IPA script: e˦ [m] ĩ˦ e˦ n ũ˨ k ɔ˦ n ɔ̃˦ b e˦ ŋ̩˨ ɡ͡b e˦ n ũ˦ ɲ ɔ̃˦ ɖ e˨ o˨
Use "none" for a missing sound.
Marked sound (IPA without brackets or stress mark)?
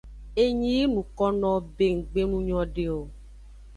ɲ